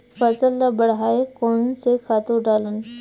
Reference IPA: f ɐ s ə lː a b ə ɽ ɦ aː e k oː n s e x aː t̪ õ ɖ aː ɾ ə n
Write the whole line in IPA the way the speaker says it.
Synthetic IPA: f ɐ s ə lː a b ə ɽ ɦ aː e k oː n s e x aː t̪ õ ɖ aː l ə n

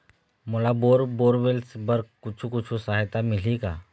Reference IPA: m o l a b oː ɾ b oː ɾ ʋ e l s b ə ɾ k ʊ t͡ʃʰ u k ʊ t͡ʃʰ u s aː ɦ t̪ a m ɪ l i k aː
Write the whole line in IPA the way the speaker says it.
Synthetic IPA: m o l a b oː ɾ b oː ɾ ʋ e l s b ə ɾ k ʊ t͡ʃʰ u k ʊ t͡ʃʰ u s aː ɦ t̪ a m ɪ l i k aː

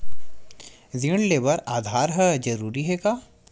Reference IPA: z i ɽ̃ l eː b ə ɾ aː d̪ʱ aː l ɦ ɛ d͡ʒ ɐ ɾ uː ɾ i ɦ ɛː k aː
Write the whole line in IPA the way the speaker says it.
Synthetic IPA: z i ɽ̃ l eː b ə ɾ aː d̪ʱ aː ɾ ɦ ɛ d͡ʒ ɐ ɾ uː ɾ i ɦ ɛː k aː

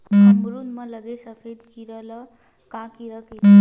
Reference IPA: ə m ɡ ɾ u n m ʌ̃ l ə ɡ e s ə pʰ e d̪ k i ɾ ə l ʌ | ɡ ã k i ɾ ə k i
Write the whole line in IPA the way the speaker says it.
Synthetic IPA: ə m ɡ ɾ u n m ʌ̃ l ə ɡ e s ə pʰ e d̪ k i ɾ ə l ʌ | k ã k i ɾ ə k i

